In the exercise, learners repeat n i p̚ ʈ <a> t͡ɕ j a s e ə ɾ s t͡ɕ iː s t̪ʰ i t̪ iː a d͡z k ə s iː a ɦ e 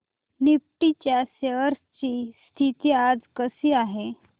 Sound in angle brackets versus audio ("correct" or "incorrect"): incorrect